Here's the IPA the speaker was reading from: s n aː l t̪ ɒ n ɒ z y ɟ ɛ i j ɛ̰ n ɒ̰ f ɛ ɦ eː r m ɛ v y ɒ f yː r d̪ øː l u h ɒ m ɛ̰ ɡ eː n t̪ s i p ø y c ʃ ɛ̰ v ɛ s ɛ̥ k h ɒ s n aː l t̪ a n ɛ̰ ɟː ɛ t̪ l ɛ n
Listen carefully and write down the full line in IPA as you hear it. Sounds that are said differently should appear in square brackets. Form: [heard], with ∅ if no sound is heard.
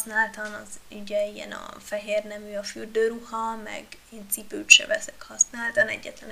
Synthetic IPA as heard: s n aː l t̪ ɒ n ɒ z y ɟ ɛ i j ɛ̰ n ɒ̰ f ɛ ɦ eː r [n] ɛ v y ɒ f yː r d̪ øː [ɾ] u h ɒ m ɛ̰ ɡ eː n t̪ s i p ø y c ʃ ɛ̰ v ɛ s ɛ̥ k h ɒ s n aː l t̪ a n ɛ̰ ɟː ɛ t̪ l ɛ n